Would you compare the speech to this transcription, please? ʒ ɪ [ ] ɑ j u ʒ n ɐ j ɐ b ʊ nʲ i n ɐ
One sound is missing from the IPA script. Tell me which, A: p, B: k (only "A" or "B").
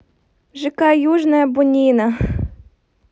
B